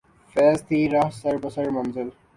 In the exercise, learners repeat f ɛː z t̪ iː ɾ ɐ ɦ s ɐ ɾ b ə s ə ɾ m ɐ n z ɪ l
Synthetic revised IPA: f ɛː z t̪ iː ɾ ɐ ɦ s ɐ ɾ b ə s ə ɾ m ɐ n z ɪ l